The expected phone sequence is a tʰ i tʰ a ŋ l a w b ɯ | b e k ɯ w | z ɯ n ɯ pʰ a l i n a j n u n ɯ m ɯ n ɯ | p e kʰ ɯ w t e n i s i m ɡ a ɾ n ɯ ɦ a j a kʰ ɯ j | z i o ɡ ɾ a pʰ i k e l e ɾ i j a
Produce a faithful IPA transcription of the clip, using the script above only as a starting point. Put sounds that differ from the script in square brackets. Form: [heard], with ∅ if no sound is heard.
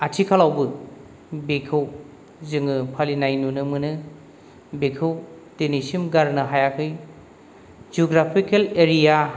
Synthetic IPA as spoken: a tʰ i [kʰ] a [∅] l a w b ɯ | b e [kʰ] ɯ w | z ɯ [ŋ] ɯ pʰ a l i n a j n u n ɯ m ɯ n ɯ | [b] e kʰ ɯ w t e n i s i m ɡ a ɾ n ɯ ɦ a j a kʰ ɯ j | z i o ɡ ɾ a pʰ i k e l e ɾ i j a

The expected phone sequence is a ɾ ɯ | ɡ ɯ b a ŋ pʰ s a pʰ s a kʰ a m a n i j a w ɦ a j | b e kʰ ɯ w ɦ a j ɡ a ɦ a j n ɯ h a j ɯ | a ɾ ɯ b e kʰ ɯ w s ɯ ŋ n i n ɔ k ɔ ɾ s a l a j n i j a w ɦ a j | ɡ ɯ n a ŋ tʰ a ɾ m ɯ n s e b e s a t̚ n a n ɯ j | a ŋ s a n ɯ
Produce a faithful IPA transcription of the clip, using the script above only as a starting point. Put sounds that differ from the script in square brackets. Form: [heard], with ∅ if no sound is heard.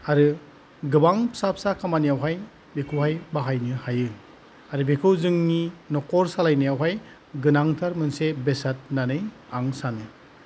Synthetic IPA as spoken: a ɾ ɯ | ɡ ɯ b a ŋ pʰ s a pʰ s a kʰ a m a n i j a w ɦ a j | b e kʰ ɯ w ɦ a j [b] a ɦ a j n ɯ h a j ɯ | a ɾ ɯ b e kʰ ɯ w [z] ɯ ŋ n i n ɔ k ɔ ɾ s a l a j n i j a w ɦ a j | ɡ ɯ n a ŋ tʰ a ɾ m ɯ n s e b e s a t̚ n a n ɯ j | a ŋ s a n ɯ

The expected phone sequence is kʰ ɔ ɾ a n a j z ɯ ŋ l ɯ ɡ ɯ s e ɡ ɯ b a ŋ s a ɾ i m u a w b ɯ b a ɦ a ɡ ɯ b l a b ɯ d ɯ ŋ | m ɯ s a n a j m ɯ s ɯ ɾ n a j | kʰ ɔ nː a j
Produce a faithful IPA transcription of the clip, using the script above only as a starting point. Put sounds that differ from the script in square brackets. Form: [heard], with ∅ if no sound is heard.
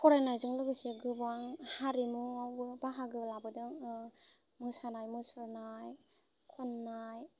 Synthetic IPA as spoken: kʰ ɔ ɾ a n a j z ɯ ŋ l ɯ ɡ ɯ s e ɡ ɯ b a ŋ [h] a ɾ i m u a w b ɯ b a ɦ a ɡ ɯ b l a b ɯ d ɯ ŋ | m ɯ s a n a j m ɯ s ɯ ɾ n a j | kʰ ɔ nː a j

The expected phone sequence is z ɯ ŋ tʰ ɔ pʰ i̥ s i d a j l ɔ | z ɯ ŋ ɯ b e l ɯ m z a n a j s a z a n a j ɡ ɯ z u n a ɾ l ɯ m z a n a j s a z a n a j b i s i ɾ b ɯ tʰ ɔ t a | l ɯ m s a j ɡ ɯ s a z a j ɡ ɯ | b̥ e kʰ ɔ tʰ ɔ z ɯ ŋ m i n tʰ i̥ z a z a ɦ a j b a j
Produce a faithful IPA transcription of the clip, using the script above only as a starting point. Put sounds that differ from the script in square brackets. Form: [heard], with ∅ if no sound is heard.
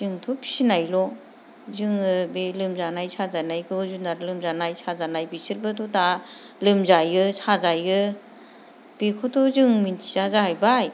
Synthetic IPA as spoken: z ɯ ŋ tʰ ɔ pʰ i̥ s i [n] a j l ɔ | z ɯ ŋ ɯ b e l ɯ m z a n a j s a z a n a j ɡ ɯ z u n a ɾ l ɯ m z a n a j s a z a n a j b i s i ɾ b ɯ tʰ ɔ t a | l ɯ m [z] a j ɡ ɯ s a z a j ɡ ɯ | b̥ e kʰ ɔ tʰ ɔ z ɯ ŋ m i n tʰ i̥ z a z a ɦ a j b a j

